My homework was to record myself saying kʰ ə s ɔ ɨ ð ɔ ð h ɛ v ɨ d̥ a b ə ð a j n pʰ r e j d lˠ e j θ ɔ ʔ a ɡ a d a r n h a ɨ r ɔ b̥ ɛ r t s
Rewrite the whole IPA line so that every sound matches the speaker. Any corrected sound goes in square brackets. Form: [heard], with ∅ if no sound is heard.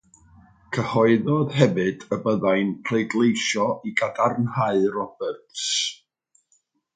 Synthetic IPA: kʰ ə [h] ɔ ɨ ð ɔ ð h ɛ v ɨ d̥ [ə] b ə ð a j n pʰ r e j d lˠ e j [ʃ] ɔ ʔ [i] ɡ a d a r n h a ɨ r ɔ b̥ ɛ r t s